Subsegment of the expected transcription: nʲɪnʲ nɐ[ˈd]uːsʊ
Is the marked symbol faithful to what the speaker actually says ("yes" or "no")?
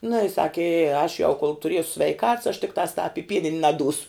yes